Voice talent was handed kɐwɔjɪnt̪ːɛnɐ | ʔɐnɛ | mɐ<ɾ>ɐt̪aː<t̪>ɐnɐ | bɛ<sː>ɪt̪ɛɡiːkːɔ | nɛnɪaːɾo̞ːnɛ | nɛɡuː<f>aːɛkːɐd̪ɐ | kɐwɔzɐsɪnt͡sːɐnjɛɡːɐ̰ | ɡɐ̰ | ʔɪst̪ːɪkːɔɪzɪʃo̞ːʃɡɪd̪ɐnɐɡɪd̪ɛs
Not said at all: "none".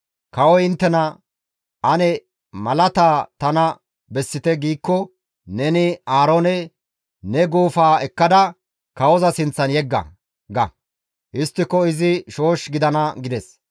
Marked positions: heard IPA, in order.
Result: l, t̪, sː, f

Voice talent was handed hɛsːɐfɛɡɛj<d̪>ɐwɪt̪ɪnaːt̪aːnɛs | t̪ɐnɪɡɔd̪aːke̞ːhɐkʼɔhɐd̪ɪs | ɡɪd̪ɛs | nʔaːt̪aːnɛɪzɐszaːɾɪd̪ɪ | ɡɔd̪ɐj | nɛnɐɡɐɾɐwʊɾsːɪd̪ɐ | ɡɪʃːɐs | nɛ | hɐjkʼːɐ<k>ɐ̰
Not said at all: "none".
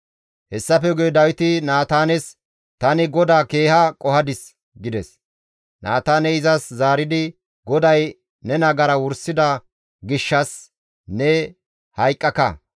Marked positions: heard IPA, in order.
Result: d̪, k

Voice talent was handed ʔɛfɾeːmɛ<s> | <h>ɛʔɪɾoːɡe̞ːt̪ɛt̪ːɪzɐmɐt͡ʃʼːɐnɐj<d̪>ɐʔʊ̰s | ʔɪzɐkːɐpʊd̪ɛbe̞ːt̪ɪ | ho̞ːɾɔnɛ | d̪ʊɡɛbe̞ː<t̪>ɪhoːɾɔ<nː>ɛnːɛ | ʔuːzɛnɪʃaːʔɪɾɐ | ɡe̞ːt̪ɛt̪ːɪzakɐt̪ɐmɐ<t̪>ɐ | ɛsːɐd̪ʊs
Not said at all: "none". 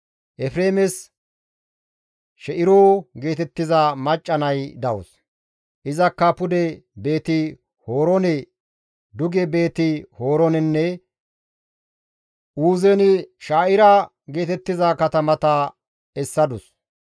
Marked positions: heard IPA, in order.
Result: s, ʃ, d̪, t̪, n, t̪

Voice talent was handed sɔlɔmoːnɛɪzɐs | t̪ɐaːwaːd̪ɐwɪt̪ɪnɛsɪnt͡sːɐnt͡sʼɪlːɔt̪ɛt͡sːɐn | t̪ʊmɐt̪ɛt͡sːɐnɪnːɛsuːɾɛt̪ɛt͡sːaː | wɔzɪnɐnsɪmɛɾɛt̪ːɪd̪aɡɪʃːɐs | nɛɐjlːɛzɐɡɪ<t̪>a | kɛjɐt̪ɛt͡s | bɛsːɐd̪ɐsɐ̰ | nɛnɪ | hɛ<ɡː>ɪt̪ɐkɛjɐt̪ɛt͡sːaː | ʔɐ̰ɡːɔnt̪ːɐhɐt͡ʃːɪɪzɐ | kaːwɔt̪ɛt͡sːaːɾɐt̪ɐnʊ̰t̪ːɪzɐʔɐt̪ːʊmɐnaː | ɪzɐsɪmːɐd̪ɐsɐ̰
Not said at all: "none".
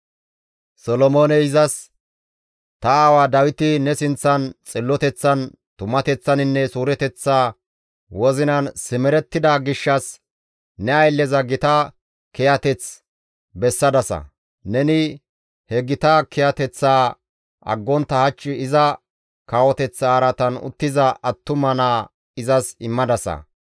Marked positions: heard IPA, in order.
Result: t̪, ɡ

